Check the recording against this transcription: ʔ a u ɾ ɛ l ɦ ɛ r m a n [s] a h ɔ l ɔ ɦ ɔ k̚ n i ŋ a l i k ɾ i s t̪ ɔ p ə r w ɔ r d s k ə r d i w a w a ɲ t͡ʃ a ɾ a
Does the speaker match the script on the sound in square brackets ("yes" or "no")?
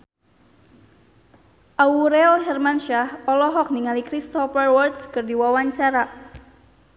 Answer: no